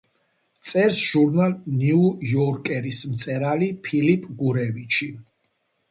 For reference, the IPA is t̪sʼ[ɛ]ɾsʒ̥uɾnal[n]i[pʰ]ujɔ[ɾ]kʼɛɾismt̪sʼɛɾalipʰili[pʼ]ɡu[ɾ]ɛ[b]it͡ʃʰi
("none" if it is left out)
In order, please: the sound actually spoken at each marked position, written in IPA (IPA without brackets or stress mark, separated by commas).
ɛ, n, none, ɾ, pʼ, ɾ, v